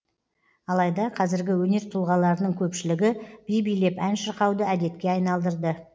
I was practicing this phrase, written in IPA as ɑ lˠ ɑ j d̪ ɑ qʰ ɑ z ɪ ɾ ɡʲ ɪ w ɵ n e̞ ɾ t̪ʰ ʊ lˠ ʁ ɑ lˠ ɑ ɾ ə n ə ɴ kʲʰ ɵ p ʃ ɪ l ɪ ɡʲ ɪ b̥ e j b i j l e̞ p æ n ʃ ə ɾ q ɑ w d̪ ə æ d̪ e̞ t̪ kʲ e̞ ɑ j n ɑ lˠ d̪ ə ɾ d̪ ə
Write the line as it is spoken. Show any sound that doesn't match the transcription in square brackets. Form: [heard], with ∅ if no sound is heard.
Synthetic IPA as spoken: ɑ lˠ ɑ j d̪ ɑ qʰ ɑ z ɪ ɾ ɡʲ ɪ w ɵ n e̞ ɾ t̪ʰ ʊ lˠ ʁ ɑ lˠ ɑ ɾ ə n ə ɴ kʲʰ ɵ p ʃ ɪ l ɪ ɡʲ ɪ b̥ [i] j b i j l e̞ p æ n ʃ ə ɾ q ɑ w d̪ ə æ d̪ e̞ t̪ kʲ e̞ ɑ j n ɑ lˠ d̪ ə ɾ d̪ ə